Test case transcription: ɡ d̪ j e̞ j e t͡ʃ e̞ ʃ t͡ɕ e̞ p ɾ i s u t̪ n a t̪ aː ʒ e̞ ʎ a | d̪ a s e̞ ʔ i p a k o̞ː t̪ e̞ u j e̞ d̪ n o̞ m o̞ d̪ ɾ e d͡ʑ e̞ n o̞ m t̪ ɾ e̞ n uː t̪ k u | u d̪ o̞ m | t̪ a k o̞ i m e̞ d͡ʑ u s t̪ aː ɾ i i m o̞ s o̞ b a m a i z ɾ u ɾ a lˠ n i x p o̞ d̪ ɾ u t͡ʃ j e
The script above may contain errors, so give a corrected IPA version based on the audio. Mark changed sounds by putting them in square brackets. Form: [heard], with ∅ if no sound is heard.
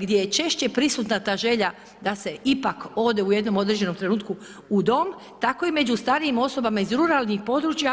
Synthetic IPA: ɡ d̪ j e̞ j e t͡ʃ e̞ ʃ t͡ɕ e̞ p ɾ i s u t̪ n a t̪ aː ʒ e̞ ʎ a | d̪ a s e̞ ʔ i p a k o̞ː [d̪] e̞ u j e̞ d̪ n o̞ m o̞ d̪ ɾ e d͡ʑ e̞ n o̞ m t̪ ɾ e̞ n uː t̪ k u | u d̪ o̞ m | t̪ a k o̞ i m e̞ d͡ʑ u s t̪ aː ɾ i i m o̞ s o̞ b a m a i z ɾ u ɾ a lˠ n i x p o̞ d̪ ɾ u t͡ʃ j [a]